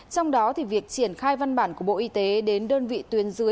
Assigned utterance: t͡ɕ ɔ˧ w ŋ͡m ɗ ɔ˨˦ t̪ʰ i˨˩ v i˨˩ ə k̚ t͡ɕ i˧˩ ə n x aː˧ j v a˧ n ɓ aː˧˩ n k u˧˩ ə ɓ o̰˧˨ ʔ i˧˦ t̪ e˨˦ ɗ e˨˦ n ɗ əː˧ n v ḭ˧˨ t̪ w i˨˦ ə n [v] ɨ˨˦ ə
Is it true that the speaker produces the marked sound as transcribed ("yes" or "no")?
no